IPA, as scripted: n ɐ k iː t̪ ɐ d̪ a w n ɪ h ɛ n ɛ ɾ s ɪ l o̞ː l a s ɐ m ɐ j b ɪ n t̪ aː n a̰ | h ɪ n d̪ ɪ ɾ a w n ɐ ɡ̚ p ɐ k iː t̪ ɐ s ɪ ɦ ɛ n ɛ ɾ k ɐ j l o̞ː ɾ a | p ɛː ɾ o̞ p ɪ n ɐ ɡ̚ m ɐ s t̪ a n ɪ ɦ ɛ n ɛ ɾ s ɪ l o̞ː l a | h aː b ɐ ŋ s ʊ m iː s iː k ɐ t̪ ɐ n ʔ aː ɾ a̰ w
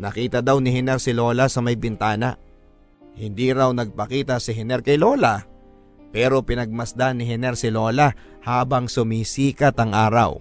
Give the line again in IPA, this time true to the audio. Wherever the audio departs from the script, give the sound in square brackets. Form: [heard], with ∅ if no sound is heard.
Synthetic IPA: n ɐ k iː t̪ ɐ d̪ a w n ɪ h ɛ n ɛ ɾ s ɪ l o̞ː l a s ɐ m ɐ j b ɪ n t̪ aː n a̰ | h ɪ n d̪ [i] ɾ a w n ɐ ɡ̚ p ɐ k iː t̪ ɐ s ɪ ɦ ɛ n ɛ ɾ k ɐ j l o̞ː [l] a | p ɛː ɾ o̞ p ɪ n ɐ ɡ̚ m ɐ s [d̪] a n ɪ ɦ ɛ n ɛ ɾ s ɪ l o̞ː l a | h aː b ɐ ŋ s ʊ m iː s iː k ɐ t̪ ɐ [ŋ] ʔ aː ɾ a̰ w